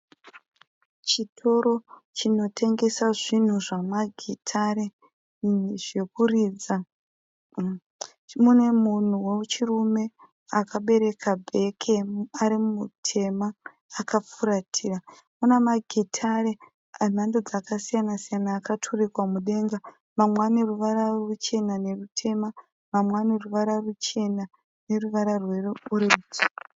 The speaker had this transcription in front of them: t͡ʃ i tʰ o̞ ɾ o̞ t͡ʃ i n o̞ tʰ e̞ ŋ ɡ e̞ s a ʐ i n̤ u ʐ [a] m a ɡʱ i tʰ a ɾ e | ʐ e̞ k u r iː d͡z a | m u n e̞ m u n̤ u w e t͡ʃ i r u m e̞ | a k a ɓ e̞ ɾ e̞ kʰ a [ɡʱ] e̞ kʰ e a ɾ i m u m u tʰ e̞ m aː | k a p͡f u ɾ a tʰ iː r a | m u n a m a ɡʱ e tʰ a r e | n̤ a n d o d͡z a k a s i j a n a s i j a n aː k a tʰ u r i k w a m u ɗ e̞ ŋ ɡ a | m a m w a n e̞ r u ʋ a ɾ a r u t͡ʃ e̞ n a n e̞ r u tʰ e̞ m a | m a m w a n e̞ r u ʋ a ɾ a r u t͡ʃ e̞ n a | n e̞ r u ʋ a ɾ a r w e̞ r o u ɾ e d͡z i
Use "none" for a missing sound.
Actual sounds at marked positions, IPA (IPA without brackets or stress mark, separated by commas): a, bʱ